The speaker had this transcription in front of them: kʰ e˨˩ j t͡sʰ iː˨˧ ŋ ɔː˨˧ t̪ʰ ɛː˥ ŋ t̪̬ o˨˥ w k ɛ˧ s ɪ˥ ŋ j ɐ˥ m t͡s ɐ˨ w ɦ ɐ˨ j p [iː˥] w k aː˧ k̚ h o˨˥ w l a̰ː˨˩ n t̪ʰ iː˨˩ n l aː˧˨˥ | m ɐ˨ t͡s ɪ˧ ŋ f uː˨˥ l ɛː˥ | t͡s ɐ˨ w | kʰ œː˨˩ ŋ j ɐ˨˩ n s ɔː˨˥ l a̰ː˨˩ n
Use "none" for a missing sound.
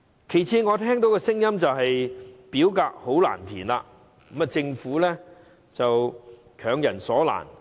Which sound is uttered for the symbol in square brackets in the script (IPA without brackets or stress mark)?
iː˨˥